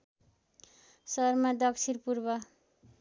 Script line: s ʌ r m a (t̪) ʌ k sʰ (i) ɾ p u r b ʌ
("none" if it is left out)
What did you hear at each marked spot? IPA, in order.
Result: d̪, i

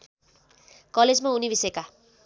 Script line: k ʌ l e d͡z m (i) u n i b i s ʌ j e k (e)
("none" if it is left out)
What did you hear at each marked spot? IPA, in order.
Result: a, a

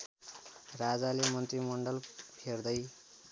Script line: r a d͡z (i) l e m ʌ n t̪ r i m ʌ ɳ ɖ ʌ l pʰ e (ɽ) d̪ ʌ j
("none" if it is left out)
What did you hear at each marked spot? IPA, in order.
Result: a, r

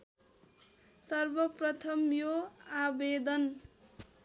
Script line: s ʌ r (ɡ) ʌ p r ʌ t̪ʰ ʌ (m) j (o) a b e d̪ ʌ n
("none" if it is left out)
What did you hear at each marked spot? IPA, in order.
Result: b, m, o

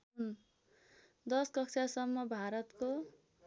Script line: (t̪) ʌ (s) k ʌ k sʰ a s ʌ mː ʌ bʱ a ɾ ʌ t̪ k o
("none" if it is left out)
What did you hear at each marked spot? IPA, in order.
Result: d̪, s

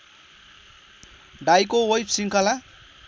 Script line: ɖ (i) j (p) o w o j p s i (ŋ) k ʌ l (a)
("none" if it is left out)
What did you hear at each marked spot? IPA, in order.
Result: a, k, ŋ, a

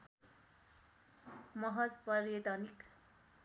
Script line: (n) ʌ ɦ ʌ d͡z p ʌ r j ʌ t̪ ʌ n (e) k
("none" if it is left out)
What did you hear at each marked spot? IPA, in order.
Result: m, i

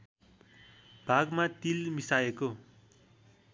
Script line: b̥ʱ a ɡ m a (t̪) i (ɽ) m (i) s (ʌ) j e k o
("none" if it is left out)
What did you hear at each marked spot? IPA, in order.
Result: t̪, l, i, a

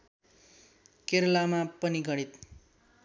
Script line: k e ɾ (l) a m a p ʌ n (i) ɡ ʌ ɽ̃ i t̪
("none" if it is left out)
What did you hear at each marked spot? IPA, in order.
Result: l, i

